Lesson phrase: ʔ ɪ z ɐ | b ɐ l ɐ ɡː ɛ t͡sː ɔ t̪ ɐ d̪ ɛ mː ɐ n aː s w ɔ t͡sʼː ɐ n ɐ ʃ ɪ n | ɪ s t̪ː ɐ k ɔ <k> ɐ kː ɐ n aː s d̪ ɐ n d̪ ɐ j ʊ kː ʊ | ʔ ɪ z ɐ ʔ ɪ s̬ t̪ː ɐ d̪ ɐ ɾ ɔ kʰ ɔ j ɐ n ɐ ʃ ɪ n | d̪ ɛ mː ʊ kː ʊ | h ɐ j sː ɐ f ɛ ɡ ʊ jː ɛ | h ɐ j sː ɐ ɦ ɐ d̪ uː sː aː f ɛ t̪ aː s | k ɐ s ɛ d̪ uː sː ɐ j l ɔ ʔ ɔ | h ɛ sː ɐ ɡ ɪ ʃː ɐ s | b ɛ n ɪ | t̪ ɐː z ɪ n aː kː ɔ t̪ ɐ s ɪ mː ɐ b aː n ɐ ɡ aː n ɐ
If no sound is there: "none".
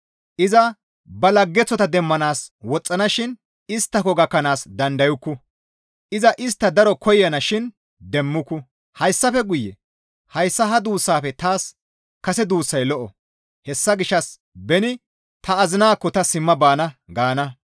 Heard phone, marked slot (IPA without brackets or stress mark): ɡ